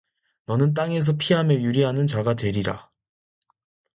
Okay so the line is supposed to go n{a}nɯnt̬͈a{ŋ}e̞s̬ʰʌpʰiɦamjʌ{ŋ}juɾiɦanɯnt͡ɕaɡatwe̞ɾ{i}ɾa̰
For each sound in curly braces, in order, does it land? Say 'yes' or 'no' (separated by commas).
no, yes, no, yes